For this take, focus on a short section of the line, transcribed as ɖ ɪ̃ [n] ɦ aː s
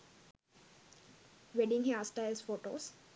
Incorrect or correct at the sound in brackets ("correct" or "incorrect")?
incorrect